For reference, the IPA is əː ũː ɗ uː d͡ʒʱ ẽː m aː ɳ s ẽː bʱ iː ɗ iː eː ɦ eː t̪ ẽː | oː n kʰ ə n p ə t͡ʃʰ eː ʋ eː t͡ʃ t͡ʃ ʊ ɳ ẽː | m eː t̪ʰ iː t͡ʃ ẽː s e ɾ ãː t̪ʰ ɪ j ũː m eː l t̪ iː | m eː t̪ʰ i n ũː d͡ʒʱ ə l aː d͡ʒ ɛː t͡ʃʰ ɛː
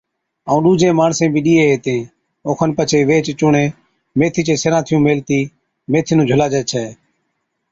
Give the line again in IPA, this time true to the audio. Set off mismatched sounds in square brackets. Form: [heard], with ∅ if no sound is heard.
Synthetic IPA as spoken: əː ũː ɗ uː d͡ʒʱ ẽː m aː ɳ s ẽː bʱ iː ɗ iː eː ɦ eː t̪ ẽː | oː [∅] kʰ ə n p ə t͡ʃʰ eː ʋ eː t͡ʃ t͡ʃ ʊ ɳ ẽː | m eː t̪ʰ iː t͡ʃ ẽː s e ɾ ãː t̪ʰ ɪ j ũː m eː l t̪ iː | m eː t̪ʰ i n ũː d͡ʒʱ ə l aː d͡ʒ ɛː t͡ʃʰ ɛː